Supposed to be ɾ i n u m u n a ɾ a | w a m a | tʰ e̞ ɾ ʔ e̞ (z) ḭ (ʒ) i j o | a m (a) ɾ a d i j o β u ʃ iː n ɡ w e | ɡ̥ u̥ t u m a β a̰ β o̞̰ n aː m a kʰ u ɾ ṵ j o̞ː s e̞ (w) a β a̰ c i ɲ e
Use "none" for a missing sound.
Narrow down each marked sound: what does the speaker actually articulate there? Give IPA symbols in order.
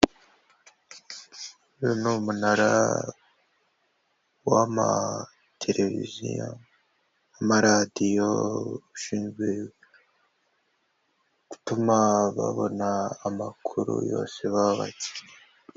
v, z, a, β

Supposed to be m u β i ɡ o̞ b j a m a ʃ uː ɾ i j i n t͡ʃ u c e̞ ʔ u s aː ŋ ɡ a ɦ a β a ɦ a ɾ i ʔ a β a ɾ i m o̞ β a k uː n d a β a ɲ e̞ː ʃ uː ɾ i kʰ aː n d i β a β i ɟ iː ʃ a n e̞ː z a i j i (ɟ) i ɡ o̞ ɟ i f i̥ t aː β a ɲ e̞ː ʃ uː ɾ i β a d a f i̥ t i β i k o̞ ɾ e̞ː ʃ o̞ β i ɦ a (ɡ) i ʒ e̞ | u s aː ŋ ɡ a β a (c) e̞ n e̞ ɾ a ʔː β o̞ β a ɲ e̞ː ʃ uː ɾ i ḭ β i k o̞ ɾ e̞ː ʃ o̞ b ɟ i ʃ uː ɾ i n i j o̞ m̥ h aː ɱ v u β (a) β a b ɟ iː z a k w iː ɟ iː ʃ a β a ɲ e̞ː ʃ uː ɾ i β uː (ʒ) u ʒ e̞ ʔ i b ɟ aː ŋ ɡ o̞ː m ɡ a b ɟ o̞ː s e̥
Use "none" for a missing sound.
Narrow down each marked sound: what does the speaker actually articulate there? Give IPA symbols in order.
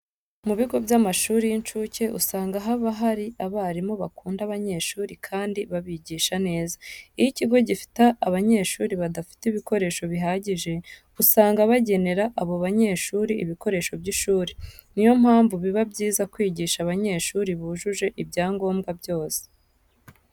c, ɟ, ɟ, i, ʒ

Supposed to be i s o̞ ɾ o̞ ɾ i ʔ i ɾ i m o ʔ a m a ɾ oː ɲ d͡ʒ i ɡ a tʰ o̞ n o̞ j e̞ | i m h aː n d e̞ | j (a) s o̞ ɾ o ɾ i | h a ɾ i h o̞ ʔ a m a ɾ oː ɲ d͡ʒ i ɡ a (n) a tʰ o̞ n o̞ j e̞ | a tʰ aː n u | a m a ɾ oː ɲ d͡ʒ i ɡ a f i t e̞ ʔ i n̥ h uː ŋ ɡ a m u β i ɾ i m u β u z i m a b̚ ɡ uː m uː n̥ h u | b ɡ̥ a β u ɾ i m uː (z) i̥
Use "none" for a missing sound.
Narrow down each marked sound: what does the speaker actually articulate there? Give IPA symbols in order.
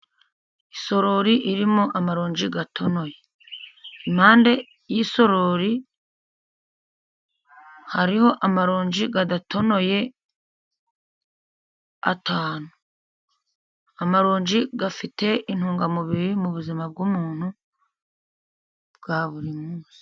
i, d, s

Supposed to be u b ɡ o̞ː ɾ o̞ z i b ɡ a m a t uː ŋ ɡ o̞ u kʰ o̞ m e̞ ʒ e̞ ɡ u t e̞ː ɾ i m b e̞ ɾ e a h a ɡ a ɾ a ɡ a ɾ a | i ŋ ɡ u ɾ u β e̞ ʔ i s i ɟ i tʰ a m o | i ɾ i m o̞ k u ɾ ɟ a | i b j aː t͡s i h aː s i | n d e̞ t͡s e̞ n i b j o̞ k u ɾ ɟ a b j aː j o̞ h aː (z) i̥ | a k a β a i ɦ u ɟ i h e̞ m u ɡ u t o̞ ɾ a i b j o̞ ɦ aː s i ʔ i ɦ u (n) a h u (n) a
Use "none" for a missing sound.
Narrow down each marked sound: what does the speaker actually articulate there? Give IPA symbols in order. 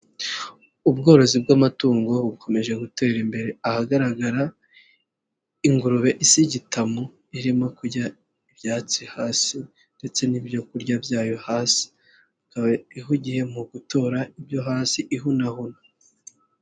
s, n, n

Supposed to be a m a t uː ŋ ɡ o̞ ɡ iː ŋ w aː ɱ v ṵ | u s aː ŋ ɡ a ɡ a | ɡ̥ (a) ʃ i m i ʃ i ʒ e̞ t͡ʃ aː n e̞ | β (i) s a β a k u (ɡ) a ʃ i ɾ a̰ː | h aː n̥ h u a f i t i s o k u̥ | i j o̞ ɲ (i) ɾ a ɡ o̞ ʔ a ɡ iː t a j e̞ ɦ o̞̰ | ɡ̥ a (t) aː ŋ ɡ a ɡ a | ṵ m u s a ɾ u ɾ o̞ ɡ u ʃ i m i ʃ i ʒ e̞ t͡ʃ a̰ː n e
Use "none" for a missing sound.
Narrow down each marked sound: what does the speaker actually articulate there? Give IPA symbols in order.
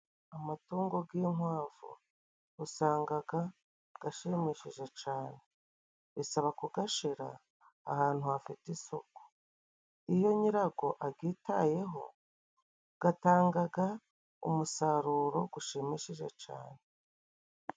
a, i, ɡ, i, t

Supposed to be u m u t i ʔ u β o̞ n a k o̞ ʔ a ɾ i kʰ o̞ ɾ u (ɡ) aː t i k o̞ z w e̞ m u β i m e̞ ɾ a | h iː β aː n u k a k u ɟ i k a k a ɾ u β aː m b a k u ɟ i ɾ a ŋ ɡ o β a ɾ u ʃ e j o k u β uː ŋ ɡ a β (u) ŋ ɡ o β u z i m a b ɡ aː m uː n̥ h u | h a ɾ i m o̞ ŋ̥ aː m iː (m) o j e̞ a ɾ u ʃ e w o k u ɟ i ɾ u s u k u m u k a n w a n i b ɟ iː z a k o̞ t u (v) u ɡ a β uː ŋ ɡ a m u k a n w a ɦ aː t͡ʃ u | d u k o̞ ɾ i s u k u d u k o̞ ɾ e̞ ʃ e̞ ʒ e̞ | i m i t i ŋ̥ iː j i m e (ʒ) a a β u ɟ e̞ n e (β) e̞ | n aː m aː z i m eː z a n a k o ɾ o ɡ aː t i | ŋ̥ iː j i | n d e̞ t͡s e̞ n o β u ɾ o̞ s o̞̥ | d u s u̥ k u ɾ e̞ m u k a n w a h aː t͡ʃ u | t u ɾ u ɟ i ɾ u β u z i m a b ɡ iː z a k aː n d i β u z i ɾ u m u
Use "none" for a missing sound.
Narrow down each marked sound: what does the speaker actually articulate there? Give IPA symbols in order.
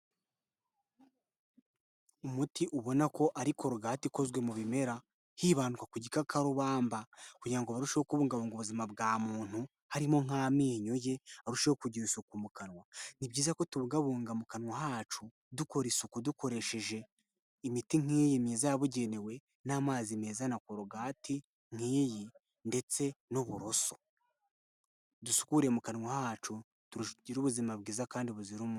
ɡ, uː, ɲ, β, z, w

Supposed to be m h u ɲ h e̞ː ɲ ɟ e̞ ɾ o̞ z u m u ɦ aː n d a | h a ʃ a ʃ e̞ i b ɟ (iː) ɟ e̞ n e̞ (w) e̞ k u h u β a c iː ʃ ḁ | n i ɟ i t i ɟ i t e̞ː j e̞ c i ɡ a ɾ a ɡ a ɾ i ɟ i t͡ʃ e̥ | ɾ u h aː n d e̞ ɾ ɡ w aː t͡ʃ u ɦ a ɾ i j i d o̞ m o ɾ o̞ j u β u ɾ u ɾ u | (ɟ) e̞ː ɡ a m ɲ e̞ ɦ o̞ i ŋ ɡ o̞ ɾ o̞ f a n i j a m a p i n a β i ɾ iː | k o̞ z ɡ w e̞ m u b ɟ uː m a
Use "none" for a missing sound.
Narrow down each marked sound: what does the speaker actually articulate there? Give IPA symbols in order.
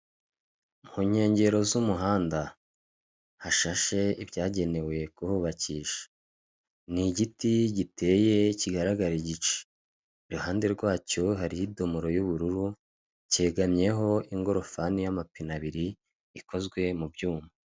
aː, w, c

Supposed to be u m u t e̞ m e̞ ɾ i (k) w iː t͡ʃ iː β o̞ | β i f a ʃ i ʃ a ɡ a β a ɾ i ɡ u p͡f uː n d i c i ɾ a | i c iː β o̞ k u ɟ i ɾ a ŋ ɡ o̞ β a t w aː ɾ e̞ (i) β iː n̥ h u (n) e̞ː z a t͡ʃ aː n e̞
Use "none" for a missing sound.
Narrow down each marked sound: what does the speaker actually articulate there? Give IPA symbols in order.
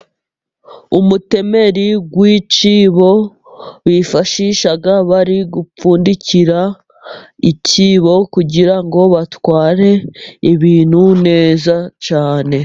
ɡ, i, n

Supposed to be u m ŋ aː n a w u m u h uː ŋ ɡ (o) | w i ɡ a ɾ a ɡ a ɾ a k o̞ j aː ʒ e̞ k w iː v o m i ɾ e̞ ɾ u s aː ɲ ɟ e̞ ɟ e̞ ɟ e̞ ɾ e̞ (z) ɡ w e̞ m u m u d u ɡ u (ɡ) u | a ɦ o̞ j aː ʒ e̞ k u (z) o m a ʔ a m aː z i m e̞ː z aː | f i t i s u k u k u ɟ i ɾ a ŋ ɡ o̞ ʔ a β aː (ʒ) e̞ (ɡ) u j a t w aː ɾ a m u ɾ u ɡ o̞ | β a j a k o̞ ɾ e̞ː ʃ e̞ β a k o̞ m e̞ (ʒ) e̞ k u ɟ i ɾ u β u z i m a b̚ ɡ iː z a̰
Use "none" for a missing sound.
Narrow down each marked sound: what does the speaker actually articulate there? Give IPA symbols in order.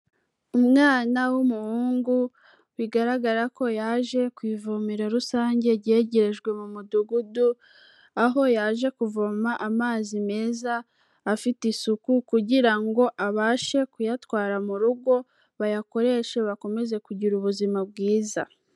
u, ʒ, d, v, ʃ, k, z

